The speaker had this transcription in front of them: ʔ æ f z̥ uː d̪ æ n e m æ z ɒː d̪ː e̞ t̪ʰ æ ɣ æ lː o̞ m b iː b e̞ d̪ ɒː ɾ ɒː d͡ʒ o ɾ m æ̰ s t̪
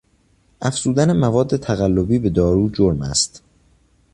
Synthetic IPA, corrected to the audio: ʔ æ f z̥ uː d̪ æ n e m æ v ɒː d̪ː e̞ t̪ʰ æ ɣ æ lː o̞ b iː b e̞ d̪ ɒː ɾ uː d͡ʒ o ɾ m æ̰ s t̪